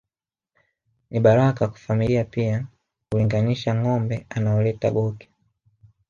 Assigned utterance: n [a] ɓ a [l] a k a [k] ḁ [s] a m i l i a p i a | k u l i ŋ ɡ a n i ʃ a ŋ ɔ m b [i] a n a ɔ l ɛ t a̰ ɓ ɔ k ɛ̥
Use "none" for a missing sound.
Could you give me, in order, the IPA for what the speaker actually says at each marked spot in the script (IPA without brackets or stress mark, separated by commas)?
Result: i, ɾ, k, f, ɛ